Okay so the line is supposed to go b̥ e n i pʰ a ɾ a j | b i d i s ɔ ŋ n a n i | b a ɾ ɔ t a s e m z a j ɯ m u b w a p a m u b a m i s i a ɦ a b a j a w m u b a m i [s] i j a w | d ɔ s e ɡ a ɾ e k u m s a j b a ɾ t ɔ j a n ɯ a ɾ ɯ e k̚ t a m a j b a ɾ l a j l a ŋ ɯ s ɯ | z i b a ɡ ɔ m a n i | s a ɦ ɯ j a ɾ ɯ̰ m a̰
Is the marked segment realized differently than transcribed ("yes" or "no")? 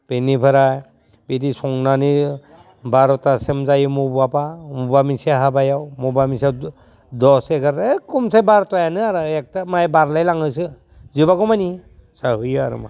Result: no